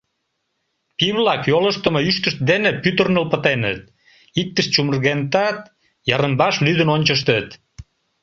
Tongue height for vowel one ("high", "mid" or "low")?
high